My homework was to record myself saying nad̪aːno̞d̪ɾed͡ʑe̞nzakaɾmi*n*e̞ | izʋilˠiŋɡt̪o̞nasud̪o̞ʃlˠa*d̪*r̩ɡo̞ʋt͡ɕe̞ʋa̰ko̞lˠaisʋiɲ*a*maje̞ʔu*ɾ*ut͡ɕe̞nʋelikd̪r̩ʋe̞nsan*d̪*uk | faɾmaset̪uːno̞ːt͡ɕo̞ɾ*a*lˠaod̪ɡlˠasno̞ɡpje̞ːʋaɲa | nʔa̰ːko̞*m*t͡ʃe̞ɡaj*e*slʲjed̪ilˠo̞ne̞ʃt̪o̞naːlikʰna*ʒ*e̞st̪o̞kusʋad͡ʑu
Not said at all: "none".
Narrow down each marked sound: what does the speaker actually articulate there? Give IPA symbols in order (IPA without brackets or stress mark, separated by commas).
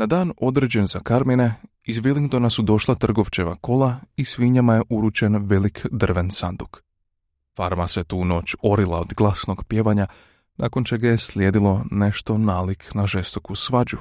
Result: n, t̪, a, ɾ, d̪, i, n, e, ʒ